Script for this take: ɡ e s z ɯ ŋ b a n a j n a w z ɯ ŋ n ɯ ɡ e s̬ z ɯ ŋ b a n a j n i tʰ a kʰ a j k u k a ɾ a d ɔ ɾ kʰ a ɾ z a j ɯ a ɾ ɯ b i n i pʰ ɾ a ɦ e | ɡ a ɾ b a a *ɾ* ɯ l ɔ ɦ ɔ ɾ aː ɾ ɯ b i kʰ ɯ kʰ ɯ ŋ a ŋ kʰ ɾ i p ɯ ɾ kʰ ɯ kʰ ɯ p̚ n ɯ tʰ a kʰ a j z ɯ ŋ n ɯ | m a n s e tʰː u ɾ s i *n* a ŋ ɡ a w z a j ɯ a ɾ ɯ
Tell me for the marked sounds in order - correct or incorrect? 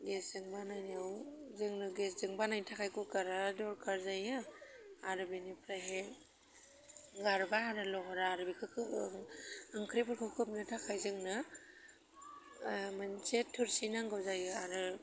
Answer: correct, correct

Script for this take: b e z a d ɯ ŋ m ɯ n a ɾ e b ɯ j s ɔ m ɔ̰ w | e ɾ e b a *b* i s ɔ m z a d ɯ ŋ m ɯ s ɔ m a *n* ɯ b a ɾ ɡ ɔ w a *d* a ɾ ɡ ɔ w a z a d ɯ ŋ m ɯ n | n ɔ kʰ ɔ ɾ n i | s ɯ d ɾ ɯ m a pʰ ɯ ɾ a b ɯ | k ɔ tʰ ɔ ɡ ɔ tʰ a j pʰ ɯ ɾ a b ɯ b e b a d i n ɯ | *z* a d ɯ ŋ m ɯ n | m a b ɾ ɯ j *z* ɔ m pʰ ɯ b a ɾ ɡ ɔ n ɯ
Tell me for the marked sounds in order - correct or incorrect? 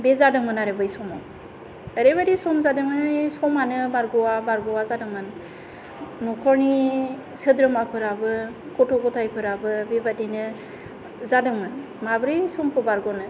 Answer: incorrect: d, correct, incorrect: b, correct, incorrect: s

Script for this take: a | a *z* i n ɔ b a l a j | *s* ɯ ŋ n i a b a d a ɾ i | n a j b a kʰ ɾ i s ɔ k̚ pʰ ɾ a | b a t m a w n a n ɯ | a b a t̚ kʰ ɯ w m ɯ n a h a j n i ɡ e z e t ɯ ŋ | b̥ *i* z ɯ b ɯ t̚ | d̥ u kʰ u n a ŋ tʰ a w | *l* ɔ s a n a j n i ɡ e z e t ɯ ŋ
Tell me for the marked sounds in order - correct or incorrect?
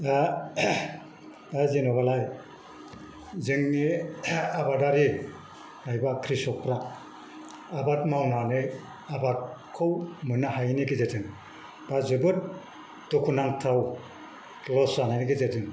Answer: correct, incorrect: z, incorrect: a, correct

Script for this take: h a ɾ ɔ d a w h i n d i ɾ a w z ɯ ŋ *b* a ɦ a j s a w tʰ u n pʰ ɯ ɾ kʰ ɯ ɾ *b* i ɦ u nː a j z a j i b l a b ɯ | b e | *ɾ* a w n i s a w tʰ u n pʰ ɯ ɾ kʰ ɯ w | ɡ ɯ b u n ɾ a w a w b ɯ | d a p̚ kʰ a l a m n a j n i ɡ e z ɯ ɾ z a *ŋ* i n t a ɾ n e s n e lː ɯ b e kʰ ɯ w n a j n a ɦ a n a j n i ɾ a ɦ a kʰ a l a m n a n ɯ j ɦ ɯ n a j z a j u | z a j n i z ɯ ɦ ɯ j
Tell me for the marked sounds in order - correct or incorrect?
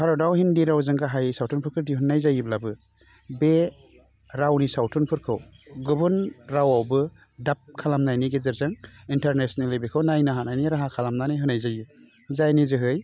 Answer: incorrect: ɡ, incorrect: d, correct, correct

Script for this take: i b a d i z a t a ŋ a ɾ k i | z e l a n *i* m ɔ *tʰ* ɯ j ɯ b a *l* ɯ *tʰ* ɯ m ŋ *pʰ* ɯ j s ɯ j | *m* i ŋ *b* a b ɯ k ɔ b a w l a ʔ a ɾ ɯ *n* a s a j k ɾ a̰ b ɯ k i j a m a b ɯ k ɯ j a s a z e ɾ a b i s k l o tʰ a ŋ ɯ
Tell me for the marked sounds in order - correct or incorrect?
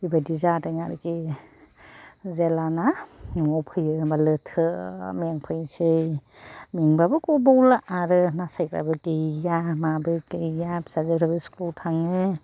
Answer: incorrect: a, incorrect: pʰ, correct, correct, correct, correct, correct, correct

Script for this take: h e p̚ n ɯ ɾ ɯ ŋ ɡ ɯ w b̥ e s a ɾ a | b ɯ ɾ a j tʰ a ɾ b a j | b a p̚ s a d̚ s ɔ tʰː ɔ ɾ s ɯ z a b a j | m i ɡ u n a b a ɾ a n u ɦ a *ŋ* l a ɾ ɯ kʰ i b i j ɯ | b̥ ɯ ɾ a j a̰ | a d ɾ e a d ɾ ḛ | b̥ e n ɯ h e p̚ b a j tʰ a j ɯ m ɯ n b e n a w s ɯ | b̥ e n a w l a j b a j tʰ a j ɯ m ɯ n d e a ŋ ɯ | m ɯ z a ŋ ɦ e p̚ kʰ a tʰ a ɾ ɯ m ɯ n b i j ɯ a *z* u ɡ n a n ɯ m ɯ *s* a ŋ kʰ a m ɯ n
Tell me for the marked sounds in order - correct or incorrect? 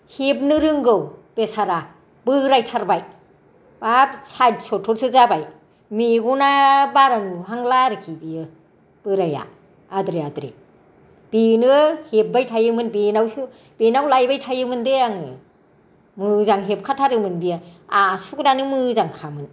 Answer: correct, incorrect: s, incorrect: z

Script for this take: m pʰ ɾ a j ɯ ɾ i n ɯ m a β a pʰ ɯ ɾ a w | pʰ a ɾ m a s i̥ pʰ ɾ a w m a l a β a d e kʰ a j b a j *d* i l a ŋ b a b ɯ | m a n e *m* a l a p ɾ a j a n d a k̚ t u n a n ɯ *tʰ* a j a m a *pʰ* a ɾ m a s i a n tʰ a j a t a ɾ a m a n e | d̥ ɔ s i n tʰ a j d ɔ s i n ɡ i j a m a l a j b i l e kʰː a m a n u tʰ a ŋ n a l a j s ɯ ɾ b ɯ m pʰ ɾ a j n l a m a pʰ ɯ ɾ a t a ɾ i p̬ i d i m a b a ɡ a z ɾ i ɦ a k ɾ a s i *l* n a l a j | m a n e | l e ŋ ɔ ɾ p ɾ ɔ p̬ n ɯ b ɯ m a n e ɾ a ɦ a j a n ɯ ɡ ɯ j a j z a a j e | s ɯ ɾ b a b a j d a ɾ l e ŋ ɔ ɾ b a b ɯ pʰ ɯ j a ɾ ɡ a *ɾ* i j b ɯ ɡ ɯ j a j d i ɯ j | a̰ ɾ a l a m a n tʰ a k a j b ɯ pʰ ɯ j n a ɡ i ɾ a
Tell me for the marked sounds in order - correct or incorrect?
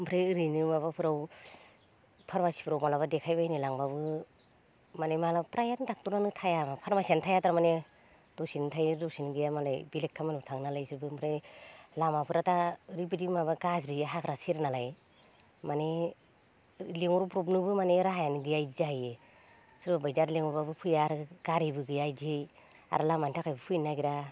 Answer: incorrect: n, correct, correct, correct, incorrect: ɾ, correct

